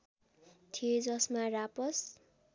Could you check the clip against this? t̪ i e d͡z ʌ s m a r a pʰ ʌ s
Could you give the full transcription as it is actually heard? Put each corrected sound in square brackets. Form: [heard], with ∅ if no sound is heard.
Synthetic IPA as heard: [t̪ʰ] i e d͡z ʌ s m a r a [p] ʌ s

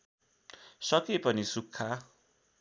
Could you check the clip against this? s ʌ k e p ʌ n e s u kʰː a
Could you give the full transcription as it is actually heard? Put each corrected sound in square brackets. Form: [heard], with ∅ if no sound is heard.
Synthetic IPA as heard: s ʌ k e p ʌ n [i] s u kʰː a

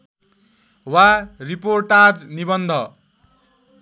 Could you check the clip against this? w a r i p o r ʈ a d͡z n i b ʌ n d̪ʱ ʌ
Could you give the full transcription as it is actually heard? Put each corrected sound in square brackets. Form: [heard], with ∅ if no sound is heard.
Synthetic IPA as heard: w a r i p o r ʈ a d͡z n i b ʌ n d̪ʱ ʌ

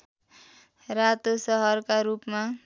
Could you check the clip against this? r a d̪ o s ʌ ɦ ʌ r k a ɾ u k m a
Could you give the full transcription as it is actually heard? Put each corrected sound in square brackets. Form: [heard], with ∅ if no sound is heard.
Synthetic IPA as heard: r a [t̪] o s ʌ ɦ ʌ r k a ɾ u [p] m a

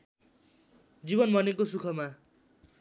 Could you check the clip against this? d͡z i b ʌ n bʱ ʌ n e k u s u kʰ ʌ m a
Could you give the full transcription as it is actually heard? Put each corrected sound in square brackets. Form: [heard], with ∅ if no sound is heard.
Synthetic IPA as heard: d͡z i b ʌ n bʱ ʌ n e k [o] s u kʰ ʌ m a

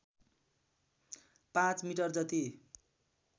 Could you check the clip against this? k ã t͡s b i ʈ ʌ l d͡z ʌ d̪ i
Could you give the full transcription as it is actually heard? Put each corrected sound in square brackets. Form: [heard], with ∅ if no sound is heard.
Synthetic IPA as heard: [p] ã t͡s [m] i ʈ ʌ [r] d͡z ʌ [t̪] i

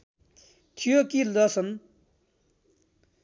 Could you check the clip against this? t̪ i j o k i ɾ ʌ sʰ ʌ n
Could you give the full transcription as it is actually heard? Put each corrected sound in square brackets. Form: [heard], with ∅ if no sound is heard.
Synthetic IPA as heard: [t̪ʰ] i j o k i [l] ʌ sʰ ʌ n

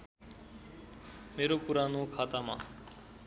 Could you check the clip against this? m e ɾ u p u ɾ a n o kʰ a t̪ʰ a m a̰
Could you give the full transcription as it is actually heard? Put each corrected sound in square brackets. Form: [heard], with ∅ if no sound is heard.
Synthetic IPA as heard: m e ɾ [o] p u ɾ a n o kʰ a [t̪] a m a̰

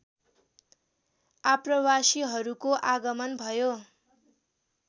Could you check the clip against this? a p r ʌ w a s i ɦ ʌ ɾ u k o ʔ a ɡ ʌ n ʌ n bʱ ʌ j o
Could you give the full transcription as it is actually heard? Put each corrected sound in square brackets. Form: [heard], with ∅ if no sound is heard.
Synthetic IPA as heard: a p r ʌ w a s i ɦ ʌ ɾ u k o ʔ a ɡ ʌ [m] ʌ n bʱ ʌ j o

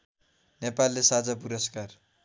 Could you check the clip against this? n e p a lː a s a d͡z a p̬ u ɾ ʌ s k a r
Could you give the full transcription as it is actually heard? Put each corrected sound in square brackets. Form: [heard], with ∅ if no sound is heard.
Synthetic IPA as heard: n e p a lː [e] s a d͡z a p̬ u ɾ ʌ s k a r

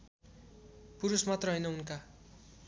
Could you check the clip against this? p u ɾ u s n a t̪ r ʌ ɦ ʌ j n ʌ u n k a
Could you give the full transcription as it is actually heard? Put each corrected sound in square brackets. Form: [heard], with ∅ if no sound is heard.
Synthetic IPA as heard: p u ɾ u s [m] a t̪ r ʌ ɦ ʌ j n ʌ u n k a

